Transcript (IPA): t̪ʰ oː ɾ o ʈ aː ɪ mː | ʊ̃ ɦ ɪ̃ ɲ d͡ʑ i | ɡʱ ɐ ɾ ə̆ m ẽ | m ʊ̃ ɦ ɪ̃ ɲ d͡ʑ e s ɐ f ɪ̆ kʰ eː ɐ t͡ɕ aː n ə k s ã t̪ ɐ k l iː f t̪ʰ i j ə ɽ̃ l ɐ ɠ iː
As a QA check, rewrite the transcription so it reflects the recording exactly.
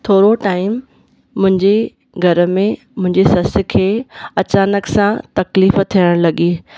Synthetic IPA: t̪ʰ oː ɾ o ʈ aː ɪ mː | ʊ̃ ɦ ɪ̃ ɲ d͡ʑ e | ɡʱ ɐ ɾ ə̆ m ẽ | m ʊ̃ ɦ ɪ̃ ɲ d͡ʑ e s ɐ s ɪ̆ kʰ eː ɐ t͡ɕ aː n ə k s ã t̪ ɐ k l iː f t̪ʰ i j ə ɽ̃ l ɐ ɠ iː